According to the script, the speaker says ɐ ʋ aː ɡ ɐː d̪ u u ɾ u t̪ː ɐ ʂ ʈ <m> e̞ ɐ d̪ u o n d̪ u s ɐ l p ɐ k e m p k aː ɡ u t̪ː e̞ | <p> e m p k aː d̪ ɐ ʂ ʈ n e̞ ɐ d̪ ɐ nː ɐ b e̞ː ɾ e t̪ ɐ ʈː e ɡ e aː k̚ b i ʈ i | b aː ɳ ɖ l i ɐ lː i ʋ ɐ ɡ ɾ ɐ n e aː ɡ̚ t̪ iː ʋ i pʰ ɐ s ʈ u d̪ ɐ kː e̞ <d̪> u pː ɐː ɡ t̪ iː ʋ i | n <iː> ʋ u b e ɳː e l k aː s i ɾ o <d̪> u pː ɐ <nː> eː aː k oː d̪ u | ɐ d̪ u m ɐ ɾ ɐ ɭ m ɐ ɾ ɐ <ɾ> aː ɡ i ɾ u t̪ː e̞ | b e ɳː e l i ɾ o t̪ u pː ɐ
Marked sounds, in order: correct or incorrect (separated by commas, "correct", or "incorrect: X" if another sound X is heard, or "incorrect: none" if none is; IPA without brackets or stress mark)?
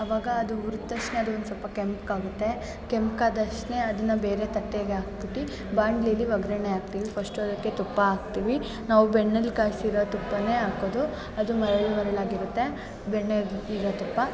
incorrect: n, incorrect: k, incorrect: t̪, incorrect: aː, incorrect: t̪, incorrect: n, incorrect: ɭ